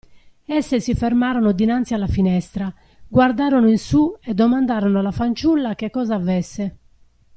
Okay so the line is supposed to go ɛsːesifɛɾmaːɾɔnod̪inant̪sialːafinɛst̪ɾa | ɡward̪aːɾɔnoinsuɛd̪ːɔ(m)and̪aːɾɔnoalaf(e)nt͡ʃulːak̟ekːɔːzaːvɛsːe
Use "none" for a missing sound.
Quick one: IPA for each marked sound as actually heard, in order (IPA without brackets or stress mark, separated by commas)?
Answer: m, a